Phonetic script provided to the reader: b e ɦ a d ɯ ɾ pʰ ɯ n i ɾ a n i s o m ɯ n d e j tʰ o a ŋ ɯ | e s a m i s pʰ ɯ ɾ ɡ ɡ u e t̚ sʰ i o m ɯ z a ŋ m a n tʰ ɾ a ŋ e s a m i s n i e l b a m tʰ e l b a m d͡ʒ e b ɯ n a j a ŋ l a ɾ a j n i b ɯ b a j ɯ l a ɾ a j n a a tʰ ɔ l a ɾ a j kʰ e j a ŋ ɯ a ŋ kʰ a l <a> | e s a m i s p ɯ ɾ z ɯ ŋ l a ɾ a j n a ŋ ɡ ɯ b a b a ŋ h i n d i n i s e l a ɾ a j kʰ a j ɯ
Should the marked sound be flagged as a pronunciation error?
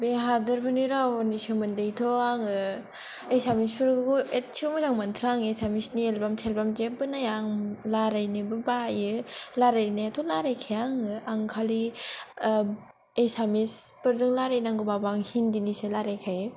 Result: yes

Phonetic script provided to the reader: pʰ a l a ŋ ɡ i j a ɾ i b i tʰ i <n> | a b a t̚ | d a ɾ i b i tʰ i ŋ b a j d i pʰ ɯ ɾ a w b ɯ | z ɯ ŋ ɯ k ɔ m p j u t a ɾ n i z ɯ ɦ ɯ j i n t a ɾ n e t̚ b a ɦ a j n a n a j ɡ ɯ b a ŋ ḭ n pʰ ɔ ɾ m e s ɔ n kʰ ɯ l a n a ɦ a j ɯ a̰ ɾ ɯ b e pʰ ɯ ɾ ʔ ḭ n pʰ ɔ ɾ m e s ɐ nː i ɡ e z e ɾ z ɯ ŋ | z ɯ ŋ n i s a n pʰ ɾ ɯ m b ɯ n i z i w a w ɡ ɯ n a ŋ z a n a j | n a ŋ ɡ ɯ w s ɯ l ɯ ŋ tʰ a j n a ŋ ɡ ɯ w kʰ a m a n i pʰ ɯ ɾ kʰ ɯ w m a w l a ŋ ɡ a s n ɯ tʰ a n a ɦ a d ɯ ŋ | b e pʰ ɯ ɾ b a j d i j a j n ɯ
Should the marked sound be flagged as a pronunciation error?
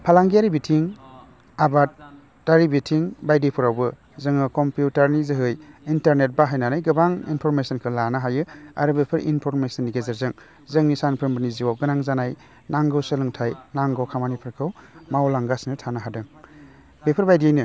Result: yes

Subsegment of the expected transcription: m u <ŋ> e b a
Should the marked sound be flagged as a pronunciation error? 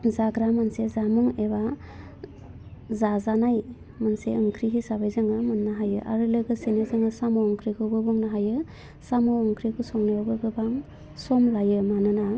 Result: no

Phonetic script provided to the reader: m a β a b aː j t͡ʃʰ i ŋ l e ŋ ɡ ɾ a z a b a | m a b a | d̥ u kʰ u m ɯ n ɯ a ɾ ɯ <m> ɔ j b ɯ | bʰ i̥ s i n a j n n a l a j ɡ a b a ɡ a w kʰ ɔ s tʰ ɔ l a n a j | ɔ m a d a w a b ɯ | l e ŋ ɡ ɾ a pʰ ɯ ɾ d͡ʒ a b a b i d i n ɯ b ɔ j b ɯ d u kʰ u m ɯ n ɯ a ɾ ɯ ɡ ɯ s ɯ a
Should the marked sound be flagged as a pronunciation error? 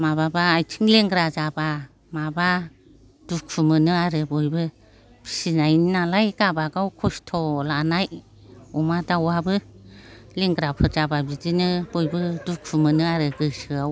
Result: yes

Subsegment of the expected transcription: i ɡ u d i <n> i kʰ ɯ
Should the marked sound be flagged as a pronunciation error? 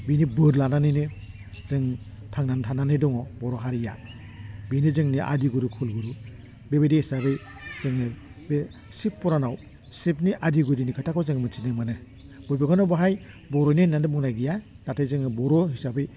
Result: no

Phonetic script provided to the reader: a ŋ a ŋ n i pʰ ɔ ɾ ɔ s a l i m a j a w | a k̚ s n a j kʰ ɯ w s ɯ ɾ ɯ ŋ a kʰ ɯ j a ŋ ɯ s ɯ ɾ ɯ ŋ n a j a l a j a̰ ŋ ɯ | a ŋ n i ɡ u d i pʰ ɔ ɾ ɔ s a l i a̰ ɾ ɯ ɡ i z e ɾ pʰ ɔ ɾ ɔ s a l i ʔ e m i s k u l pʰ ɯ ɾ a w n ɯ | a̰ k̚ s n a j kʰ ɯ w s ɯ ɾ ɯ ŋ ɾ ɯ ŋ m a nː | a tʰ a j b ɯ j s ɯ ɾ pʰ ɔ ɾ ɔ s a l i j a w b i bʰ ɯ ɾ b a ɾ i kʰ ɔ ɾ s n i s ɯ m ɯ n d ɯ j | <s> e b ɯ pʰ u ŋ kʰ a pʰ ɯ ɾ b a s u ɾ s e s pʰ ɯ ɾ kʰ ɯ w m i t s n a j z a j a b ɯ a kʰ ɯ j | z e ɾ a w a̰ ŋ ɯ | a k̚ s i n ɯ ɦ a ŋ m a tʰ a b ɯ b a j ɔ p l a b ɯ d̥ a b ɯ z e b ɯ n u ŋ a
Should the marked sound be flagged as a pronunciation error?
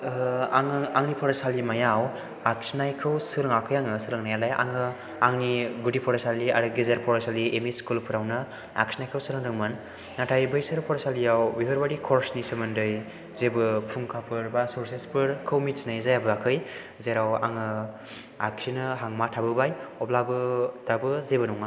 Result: yes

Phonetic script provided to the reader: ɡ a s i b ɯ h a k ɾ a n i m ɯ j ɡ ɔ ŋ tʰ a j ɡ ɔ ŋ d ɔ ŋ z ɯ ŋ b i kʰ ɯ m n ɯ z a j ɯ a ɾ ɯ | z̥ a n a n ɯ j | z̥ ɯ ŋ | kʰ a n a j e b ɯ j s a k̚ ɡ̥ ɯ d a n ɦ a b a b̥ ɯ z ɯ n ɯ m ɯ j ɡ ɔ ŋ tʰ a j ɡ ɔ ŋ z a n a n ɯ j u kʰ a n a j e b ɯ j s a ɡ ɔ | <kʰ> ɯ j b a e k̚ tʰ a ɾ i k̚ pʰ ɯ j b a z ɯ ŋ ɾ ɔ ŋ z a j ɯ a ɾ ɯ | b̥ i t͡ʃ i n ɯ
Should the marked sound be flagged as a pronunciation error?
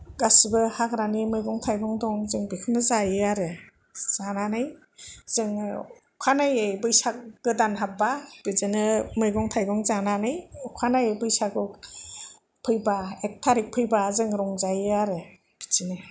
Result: yes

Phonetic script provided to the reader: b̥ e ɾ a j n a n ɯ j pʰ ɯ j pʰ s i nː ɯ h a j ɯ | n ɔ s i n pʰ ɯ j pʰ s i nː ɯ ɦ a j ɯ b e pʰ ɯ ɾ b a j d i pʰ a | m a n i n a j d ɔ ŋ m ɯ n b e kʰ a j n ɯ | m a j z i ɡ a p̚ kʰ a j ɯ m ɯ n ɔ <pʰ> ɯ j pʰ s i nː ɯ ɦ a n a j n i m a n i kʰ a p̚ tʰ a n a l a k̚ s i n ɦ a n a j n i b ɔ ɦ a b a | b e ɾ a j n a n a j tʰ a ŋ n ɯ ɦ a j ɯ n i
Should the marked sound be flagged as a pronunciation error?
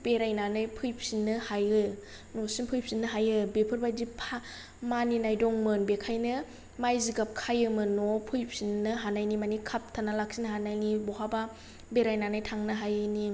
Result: no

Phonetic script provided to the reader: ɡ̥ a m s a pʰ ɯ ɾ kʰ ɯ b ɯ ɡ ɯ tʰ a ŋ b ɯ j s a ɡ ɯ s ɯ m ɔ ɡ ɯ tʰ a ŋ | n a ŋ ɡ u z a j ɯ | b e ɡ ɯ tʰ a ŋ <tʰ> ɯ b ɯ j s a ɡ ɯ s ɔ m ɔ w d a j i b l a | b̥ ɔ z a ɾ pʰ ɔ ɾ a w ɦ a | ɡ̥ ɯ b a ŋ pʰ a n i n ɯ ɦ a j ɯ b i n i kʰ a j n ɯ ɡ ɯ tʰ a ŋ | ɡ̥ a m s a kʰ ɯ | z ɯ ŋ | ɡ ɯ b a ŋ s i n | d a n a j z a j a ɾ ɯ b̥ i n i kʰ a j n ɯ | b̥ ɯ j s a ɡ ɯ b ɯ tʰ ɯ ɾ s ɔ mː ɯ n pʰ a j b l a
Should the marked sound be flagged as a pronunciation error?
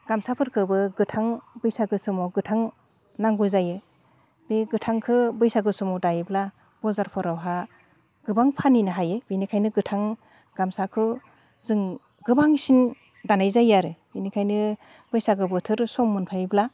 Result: yes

